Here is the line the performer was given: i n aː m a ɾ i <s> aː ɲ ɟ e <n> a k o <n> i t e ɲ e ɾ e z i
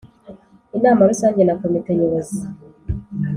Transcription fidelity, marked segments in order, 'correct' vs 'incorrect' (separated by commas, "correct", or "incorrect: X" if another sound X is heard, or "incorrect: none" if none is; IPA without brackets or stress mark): correct, correct, incorrect: m